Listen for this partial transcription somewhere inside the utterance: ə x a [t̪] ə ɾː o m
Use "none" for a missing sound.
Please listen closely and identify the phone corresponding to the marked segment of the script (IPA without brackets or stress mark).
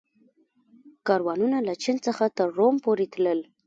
t̪